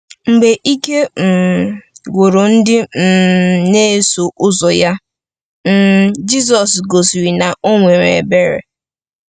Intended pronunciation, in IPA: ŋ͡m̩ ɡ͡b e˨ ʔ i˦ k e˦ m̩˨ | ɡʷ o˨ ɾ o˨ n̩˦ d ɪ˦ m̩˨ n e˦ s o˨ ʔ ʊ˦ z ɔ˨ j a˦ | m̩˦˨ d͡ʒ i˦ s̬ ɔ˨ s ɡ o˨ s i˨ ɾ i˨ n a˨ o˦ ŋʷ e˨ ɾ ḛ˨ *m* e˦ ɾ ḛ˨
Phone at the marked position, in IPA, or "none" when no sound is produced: b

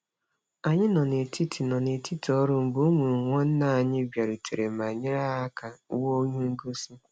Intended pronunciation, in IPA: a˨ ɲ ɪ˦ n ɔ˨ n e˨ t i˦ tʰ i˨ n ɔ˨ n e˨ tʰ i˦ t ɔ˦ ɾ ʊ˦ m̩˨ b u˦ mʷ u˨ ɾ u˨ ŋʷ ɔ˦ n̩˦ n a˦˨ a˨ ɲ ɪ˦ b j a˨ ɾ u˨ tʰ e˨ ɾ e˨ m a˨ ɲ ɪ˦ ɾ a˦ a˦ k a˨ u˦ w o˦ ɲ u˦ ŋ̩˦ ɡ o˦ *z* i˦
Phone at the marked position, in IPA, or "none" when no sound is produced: s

